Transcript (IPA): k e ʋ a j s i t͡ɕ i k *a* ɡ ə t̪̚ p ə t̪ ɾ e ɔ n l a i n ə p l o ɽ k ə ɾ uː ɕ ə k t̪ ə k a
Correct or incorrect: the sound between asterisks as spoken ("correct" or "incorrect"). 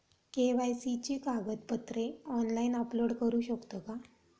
correct